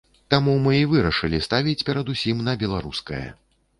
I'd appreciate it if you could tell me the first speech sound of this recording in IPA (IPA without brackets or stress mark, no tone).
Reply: t̪